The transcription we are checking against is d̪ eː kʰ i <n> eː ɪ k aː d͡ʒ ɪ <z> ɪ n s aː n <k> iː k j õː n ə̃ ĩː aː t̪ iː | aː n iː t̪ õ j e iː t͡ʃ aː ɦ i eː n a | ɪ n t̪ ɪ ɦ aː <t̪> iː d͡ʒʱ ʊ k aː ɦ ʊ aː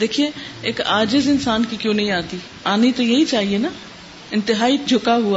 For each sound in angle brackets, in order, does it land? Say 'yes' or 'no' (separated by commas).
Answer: no, yes, yes, no